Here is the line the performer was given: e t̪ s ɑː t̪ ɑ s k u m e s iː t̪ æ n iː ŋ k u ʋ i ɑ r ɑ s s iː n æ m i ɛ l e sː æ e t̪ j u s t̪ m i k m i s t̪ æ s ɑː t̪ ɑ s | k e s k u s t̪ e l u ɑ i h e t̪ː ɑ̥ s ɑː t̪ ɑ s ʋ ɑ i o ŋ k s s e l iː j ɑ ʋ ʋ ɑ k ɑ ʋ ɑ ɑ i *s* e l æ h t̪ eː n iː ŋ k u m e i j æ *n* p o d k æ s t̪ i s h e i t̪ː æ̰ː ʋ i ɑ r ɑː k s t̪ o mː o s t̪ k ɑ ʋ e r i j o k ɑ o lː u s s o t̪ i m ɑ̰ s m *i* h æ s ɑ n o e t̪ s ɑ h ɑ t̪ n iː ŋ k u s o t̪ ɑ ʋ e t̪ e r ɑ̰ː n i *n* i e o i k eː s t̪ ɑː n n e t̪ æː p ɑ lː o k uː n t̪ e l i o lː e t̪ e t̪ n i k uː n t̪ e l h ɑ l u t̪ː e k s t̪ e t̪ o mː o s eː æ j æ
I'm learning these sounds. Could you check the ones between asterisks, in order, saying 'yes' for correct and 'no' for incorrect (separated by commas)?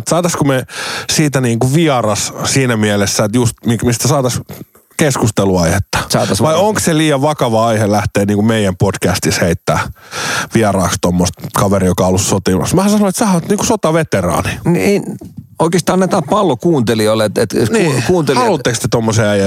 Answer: no, no, no, yes